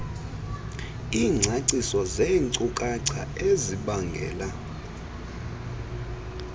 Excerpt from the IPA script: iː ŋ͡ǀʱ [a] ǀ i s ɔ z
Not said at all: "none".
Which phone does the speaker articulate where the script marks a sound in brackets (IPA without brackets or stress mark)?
a